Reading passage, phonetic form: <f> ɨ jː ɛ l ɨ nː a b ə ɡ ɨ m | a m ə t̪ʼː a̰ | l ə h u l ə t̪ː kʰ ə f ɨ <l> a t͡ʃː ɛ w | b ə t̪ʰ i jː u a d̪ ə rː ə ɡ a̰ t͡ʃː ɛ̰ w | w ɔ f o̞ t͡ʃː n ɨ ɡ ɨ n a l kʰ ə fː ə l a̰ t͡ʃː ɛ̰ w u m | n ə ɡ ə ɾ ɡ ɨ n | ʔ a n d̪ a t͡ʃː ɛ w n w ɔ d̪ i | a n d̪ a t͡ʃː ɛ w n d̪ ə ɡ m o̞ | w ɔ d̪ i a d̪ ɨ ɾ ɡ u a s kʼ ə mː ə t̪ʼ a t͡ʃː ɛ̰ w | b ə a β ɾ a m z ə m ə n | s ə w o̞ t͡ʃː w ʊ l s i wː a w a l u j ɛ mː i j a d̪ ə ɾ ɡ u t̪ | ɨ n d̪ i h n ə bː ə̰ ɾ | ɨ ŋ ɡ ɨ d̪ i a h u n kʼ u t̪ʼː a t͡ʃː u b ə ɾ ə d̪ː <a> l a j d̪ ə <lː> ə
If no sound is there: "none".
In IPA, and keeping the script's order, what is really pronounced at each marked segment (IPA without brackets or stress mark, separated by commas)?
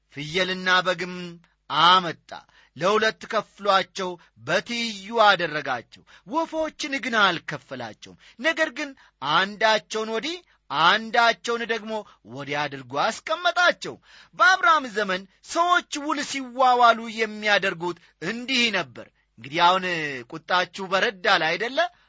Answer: f, l, a, lː